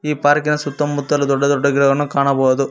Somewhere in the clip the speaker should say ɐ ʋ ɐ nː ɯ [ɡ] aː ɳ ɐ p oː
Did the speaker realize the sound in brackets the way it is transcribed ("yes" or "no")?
no